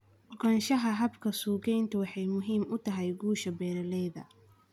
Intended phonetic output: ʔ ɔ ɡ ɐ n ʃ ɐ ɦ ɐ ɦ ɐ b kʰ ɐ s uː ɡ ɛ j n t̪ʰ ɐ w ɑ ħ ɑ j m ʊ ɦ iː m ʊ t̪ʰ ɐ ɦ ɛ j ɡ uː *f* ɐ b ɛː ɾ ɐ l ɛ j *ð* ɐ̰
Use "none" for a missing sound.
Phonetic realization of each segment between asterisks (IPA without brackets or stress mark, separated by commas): ʃ, ð